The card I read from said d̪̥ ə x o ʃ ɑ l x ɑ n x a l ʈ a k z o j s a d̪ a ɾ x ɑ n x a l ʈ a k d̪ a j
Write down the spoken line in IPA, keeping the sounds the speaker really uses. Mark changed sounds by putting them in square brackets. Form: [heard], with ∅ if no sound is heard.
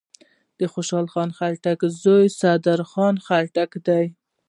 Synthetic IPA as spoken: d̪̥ ə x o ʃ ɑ l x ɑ n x a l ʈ a k z o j s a d̪ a ɾ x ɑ n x a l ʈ a k d̪ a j